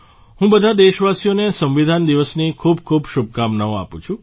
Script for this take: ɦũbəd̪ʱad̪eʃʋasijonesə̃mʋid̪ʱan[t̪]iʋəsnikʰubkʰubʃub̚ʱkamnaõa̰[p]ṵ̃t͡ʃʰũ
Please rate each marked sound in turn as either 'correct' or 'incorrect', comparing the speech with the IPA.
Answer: incorrect, correct

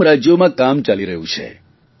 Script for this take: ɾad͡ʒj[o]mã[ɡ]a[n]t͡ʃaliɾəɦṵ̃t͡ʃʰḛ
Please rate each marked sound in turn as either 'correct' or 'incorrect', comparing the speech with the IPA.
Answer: correct, incorrect, incorrect

